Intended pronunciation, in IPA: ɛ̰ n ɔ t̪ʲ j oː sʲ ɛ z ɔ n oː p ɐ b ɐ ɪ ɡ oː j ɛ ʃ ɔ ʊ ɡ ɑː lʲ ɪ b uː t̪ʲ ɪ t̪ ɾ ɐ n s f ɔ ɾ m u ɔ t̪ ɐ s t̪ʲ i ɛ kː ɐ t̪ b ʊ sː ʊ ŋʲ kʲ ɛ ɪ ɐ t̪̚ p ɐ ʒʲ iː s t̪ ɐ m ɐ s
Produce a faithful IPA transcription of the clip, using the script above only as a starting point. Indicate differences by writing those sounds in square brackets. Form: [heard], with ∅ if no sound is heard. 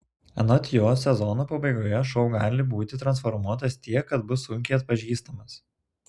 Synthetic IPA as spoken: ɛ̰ n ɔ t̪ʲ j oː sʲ ɛ z ɔ n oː p ɐ b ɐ ɪ ɡ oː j ɛ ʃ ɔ ʊ ɡ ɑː lʲ ɪ b uː t̪ʲ ɪ t̪ ɾ ɐ n s f ɔ ɾ m u ɔ t̪ ɐ s t̪ʲ i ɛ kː ɐ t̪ b ʊ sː ʊ ŋʲ kʲ ɛ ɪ ɐ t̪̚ p ɐ ʒʲ iː s t̪ ɐ m ɐ s